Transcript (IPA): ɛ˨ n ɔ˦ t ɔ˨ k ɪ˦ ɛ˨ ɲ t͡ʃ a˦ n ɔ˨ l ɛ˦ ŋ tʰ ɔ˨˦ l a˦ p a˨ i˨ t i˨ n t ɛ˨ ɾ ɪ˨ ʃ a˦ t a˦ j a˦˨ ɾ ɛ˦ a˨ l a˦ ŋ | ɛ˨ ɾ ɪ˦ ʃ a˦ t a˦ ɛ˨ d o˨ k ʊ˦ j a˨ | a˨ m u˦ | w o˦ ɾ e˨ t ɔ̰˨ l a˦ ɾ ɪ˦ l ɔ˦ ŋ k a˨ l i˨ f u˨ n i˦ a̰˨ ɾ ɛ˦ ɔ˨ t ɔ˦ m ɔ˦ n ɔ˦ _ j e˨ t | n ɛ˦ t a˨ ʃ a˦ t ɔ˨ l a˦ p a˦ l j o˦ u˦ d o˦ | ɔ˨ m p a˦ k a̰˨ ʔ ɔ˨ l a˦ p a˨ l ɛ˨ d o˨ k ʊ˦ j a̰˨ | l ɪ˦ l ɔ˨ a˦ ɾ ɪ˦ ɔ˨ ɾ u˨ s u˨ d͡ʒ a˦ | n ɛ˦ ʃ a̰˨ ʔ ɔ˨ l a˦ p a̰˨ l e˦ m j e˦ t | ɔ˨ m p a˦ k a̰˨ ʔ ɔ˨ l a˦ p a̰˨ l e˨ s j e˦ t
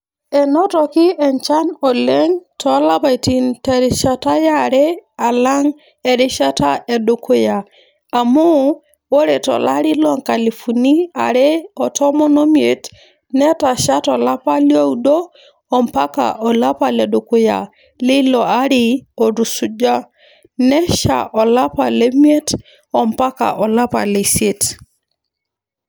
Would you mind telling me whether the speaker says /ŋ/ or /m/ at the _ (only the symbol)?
m